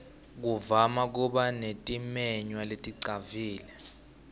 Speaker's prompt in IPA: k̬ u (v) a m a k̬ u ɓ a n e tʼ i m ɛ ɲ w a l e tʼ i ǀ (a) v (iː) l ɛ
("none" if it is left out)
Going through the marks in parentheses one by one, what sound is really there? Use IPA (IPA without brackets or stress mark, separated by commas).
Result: v, a, iː